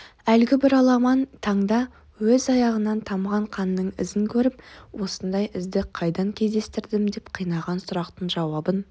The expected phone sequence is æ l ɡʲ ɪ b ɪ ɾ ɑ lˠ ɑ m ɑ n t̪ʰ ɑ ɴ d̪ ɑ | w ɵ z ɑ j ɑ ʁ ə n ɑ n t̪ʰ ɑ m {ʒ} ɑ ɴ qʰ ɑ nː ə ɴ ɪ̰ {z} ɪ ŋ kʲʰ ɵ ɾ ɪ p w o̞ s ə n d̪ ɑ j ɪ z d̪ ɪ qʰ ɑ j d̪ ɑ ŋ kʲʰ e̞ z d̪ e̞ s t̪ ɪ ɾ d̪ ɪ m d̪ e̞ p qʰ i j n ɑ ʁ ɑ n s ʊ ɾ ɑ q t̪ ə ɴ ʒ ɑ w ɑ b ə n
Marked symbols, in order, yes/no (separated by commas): no, yes